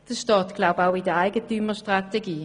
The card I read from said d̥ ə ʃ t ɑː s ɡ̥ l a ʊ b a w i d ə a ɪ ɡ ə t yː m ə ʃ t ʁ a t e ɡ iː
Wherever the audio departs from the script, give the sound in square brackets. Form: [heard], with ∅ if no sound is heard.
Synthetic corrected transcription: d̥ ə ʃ t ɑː [t] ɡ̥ l a ʊ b a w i d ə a ɪ ɡ ə t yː m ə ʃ t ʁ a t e ɡ iː

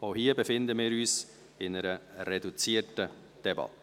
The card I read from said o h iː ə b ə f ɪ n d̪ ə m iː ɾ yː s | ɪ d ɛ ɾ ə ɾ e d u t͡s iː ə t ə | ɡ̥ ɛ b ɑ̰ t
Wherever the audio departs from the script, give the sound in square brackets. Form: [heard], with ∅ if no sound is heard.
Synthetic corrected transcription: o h iː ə b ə f ɪ n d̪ ə m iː ɾ yː s | ɪ [n] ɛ ɾ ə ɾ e d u t͡s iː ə t ə | [d̥] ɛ b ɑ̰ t

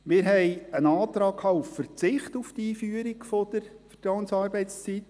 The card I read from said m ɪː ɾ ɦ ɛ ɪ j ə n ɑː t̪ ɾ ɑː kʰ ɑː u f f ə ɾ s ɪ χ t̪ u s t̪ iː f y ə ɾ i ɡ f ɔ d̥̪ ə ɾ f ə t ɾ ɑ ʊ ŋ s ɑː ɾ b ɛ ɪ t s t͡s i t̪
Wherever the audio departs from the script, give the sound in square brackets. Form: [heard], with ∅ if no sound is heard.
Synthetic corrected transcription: m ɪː ɾ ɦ ɛ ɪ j ə n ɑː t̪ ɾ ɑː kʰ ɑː u f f ə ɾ [t͡s] ɪ χ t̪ u [f] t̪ iː f y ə ɾ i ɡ f ɔ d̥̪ ə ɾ f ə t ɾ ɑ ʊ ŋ s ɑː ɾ b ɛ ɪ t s t͡s i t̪

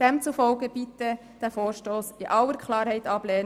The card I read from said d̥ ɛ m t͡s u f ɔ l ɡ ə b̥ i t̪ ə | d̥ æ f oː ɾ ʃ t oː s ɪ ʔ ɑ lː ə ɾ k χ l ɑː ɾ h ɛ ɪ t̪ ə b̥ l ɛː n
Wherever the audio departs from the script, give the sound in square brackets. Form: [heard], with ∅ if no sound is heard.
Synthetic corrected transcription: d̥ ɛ m t͡s u f ɔ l ɡ ə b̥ i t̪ ə | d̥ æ f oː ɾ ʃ t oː s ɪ ʔ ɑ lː ə ɾ k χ l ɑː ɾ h ɛ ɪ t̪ [ɑ] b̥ l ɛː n

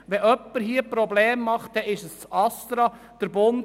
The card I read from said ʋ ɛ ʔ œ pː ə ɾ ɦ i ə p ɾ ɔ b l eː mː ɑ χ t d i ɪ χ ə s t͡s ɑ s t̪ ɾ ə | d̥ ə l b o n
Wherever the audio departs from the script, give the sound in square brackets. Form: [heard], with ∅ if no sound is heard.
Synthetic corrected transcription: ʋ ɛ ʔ œ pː ə ɾ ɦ i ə p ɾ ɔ b l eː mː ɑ χ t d [ɛ] ɪ [ʃ] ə s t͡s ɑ s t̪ ɾ [ɑ] | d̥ ə [ɾ] b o n

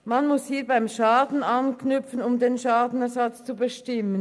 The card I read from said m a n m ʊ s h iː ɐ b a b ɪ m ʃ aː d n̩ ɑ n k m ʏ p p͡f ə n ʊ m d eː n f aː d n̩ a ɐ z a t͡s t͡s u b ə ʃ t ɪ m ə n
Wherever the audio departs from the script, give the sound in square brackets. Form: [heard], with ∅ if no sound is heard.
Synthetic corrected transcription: m a n m ʊ s h iː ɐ b a [∅] ɪ m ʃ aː d n̩ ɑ n k [n] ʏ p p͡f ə n ʊ m d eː n [ʃ] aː d n̩ [ɛ] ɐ z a t͡s t͡s u b ə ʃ t ɪ m ə n

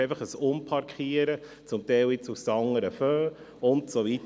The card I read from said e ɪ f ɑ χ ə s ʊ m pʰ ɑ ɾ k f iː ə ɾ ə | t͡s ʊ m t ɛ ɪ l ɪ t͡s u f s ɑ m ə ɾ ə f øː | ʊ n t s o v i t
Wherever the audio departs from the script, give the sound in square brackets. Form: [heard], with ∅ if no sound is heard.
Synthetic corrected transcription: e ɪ f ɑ χ ə s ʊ m pʰ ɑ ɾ k [χ] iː ə ɾ ə | t͡s ʊ m t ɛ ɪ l ɪ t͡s u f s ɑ [ŋ] ə ɾ ə f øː | ʊ n t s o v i t

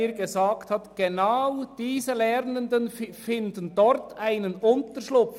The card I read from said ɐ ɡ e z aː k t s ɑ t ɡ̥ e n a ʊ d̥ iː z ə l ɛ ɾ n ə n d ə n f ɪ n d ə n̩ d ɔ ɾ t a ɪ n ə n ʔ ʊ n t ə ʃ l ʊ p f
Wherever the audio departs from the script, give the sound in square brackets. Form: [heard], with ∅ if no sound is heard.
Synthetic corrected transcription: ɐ ɡ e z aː k t [h] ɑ t ɡ̥ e n a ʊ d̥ iː z ə l ɛ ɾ n ə n d ə n f ɪ n d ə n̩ d ɔ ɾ t a ɪ n ə n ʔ ʊ n t ə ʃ l ʊ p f

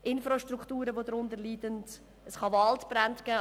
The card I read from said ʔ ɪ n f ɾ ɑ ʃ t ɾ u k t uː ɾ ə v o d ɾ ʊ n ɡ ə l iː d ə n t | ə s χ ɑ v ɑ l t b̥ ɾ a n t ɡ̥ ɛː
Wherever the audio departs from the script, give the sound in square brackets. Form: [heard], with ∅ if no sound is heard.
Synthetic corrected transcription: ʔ ɪ n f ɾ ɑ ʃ t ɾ u k t uː ɾ ə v o d ɾ ʊ n [d] ə l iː d ə n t | ə s χ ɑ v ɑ l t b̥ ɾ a n t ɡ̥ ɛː

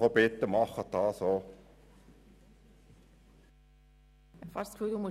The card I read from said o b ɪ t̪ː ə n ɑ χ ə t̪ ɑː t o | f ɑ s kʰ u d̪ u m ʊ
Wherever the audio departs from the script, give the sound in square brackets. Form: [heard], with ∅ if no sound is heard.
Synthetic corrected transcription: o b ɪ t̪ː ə [m] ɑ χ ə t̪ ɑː [s] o | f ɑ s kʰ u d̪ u m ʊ

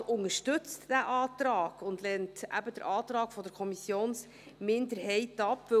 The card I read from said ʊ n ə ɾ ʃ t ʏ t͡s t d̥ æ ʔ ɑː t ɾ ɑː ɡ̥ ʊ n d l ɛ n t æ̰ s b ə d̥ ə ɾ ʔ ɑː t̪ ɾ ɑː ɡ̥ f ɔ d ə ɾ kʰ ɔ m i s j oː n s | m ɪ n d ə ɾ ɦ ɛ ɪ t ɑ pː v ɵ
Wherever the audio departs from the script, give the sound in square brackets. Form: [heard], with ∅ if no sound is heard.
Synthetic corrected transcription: ʊ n ə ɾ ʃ t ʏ t͡s t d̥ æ ʔ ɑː t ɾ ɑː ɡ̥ ʊ n d l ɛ n t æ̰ [∅] b ə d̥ ə ɾ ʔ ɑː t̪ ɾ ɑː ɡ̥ f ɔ d ə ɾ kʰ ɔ m i s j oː n s | m ɪ n d ə ɾ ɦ ɛ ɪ t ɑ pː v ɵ

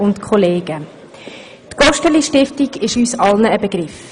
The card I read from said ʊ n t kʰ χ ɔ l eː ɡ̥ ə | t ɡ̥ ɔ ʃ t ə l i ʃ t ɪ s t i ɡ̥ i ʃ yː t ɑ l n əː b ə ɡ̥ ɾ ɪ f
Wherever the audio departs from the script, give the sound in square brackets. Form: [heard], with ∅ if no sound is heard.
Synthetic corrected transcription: ʊ n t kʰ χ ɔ l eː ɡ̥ ə | t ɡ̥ ɔ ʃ t ə l i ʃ t ɪ [f] t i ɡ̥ [ɪ] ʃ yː [s] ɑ l n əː b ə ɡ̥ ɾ ɪ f

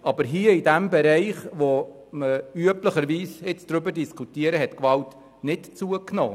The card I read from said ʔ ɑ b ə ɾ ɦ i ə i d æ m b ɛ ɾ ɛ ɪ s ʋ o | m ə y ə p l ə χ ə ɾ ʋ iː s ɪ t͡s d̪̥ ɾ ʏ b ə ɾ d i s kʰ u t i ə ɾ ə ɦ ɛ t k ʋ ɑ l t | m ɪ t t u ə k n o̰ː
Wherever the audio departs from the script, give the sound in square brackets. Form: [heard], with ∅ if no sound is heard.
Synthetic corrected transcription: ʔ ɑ b ə ɾ ɦ i ə i d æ m b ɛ ɾ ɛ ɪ [χ] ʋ o | m ə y ə p l ə χ ə ɾ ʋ iː s ɪ t͡s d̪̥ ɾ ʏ b ə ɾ d i s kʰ u t i ə ɾ ə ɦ ɛ t k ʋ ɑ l t | [n] ɪ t [t͡s] u ə k n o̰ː

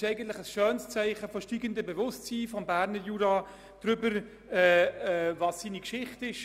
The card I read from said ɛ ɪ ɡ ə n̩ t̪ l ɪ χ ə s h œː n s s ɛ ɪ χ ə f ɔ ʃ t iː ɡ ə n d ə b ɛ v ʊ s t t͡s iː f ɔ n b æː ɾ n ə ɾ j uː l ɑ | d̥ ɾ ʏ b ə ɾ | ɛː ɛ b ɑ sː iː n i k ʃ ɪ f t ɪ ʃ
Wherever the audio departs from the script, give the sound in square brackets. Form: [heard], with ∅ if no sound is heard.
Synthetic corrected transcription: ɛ ɪ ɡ ə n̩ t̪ l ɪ χ ə s [ʃ] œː n s [t͡s] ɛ ɪ χ ə f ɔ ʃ t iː ɡ ə n d ə b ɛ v ʊ s t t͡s iː f ɔ [m] b æː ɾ n ə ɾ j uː [ɾ] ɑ | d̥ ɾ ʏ b ə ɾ | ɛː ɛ [v] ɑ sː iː n i k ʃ ɪ [χ] t ɪ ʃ

